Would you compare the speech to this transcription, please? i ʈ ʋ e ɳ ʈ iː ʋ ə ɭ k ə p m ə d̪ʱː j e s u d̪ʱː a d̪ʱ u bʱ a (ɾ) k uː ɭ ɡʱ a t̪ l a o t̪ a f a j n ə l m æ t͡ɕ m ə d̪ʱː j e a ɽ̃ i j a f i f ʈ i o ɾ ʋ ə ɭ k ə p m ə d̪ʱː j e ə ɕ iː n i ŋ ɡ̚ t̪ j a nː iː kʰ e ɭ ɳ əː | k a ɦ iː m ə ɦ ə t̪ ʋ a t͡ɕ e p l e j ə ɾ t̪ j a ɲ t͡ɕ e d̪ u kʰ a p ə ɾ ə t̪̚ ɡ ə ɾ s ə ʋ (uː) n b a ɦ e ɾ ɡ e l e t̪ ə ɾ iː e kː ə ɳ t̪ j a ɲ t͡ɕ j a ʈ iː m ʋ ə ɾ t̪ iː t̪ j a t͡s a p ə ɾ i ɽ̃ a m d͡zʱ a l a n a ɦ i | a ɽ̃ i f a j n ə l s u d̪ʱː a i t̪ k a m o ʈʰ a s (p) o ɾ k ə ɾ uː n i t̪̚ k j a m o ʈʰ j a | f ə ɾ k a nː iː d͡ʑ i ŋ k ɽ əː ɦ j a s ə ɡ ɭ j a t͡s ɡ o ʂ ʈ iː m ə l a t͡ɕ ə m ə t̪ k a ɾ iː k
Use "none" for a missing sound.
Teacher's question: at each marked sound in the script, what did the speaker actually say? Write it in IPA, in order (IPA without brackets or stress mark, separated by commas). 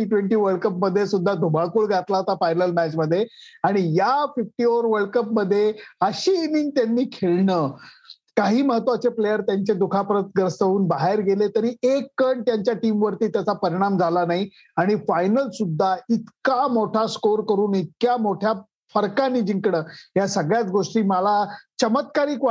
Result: ɭ, uː, k